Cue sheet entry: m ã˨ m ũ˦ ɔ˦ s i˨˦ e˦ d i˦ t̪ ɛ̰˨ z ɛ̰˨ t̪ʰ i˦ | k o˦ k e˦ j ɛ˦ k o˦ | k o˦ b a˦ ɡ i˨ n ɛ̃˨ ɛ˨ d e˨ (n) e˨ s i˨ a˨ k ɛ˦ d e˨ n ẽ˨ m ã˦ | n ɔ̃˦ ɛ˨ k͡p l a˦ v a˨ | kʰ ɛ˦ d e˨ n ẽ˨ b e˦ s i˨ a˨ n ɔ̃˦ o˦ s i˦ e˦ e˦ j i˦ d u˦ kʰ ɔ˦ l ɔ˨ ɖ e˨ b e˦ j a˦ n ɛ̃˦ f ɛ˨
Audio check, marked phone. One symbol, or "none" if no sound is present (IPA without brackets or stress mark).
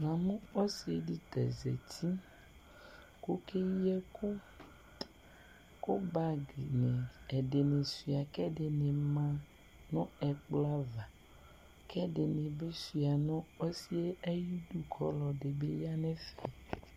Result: n